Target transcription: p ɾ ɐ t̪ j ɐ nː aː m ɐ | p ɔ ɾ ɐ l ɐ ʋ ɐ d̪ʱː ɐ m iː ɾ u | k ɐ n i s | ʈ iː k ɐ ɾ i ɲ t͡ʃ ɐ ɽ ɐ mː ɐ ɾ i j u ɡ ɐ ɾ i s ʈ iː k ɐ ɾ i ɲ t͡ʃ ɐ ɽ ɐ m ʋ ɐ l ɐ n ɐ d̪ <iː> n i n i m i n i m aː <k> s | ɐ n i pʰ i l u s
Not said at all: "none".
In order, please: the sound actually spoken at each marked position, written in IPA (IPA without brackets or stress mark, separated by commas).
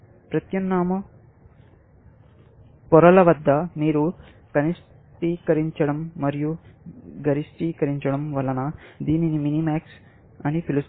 iː, k